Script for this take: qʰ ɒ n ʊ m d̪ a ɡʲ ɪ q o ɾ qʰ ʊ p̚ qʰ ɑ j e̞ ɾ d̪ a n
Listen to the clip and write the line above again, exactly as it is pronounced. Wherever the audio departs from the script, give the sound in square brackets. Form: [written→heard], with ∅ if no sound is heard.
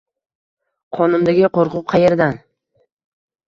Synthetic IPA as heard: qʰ ɒ n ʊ m d̪ a ɡʲ ɪ q o ɾ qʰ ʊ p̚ qʰ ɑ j e̞ ɾ d̪ a n